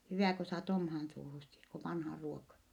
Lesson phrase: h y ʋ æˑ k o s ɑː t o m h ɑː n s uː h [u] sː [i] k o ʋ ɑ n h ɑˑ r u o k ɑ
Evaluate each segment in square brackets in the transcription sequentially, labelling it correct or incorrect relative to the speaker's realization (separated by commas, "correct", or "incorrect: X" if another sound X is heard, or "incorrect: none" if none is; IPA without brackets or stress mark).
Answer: correct, correct